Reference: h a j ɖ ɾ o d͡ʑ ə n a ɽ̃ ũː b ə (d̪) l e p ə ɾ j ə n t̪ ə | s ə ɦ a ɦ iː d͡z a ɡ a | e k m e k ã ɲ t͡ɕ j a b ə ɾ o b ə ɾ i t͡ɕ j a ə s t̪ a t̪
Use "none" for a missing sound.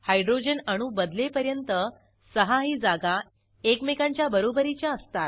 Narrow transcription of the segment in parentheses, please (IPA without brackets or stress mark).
d̪